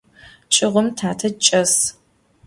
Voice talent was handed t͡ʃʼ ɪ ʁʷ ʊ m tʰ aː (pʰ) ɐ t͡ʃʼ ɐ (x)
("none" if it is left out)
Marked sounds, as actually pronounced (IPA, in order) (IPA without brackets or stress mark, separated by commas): tʰ, s